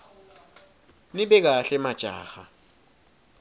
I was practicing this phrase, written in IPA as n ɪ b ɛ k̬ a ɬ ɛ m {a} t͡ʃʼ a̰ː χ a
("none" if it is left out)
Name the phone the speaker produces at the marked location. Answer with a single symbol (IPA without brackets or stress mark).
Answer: a